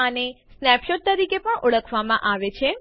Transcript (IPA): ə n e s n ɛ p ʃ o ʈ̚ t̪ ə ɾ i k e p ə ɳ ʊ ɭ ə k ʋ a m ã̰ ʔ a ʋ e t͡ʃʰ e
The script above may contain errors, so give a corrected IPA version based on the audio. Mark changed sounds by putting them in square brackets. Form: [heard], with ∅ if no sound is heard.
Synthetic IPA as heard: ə n e s n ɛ p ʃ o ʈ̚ t̪ ə ɾ i k e p ə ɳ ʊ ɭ ə [kʰ] ʋ a m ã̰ ʔ a ʋ e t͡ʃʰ e